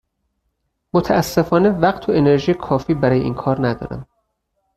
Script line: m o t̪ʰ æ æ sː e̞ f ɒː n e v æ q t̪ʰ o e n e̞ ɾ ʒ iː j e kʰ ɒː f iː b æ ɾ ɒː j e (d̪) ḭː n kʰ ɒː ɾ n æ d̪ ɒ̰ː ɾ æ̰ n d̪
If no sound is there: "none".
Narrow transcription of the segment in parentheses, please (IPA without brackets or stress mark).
none